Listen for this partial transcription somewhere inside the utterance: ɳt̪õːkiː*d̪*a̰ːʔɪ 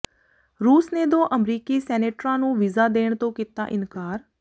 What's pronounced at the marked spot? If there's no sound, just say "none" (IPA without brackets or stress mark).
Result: t̪